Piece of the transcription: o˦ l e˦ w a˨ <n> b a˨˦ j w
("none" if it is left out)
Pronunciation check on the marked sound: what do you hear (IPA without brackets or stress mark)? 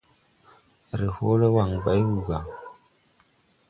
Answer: ŋ